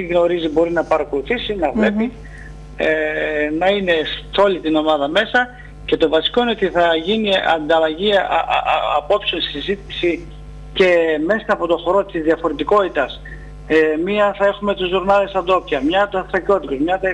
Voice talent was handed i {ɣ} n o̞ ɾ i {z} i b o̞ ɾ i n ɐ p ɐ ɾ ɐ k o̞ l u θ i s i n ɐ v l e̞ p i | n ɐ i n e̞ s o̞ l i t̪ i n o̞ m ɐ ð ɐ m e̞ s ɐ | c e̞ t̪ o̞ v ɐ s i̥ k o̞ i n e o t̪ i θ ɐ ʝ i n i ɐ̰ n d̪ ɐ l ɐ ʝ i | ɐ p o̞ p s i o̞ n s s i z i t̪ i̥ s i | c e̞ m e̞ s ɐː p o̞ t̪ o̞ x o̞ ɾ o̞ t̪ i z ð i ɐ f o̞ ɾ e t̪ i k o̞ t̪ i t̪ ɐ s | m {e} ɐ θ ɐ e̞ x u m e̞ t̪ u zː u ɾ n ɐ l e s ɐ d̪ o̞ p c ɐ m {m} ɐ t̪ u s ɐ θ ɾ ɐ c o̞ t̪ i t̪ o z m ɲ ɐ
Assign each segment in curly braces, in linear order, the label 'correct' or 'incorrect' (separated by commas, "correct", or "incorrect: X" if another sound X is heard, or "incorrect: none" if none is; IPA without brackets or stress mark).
correct, correct, incorrect: i, incorrect: ɲ